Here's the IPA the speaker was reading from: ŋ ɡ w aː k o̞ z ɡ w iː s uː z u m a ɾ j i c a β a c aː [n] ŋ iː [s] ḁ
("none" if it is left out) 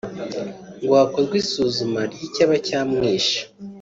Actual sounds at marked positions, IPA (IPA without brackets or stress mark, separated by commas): m, ʃ